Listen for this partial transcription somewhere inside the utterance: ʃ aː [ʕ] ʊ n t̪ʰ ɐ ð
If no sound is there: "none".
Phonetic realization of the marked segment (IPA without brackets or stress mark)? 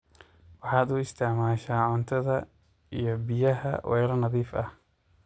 ʕ